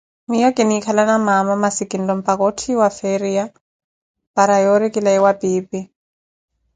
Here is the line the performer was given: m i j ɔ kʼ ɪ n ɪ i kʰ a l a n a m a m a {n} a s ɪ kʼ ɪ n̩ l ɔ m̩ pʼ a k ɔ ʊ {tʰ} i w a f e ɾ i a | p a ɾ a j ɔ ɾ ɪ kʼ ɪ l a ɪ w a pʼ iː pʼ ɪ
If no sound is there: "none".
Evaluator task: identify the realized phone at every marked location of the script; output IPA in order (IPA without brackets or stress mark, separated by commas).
m, tʰ